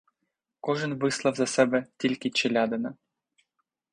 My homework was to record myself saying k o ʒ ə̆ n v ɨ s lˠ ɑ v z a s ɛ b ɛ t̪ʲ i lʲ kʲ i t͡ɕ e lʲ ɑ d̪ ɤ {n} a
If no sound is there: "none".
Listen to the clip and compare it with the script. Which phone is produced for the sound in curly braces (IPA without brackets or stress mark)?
n